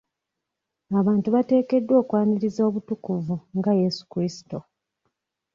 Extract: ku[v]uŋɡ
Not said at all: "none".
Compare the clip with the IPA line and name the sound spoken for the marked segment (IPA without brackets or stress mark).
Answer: v